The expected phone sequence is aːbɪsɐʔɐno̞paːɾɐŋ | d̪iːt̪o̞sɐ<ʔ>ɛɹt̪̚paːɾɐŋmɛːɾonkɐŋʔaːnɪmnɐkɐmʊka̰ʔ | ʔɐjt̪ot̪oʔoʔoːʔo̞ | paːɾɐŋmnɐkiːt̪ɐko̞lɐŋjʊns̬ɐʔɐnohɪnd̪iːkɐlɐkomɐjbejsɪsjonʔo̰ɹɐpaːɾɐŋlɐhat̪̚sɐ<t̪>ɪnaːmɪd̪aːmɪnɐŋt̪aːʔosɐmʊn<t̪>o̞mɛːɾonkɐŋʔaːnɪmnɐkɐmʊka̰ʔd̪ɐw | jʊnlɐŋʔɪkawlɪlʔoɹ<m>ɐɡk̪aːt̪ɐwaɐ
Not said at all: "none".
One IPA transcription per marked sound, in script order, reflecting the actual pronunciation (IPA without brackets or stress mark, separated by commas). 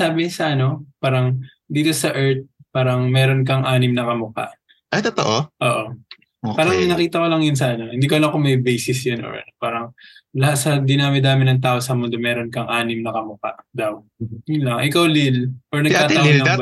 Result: ʔ, d̪, d̪, n